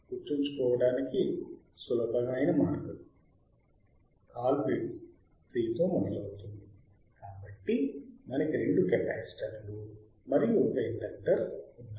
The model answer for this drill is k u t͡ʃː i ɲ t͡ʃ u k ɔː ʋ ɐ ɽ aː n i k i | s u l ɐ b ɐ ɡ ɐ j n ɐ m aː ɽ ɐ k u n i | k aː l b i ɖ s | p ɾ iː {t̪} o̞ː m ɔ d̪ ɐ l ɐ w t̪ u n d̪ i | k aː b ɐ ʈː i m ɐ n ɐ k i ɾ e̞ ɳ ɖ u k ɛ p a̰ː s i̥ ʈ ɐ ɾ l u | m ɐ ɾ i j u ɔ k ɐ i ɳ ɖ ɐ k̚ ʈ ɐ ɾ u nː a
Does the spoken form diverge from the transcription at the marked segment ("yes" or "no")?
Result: no